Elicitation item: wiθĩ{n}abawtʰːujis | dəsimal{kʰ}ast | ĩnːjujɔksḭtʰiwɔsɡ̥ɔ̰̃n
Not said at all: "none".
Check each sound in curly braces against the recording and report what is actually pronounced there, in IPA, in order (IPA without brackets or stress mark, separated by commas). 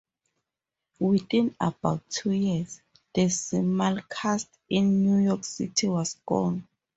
n, kʰ